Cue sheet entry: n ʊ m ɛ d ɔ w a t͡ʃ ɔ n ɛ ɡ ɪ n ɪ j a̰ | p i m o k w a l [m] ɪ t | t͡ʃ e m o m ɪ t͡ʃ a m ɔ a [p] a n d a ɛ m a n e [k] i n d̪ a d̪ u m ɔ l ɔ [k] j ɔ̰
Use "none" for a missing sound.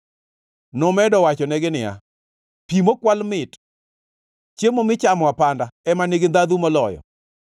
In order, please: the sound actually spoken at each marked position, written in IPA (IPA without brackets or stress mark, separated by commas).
m, p, ɡ, none